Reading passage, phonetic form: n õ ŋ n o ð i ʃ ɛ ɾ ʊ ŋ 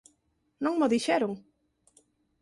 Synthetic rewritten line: n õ ŋ m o ð i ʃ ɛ ɾ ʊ ŋ